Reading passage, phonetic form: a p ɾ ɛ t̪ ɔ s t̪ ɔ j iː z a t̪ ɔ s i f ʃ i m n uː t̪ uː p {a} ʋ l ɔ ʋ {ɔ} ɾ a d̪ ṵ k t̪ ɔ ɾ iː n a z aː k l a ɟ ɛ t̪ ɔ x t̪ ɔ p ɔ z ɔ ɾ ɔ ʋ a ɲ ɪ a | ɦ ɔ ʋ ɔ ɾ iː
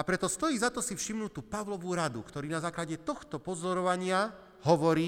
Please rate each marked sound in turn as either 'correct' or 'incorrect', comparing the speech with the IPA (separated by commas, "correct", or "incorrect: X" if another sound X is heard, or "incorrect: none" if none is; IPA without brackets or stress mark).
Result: correct, incorrect: u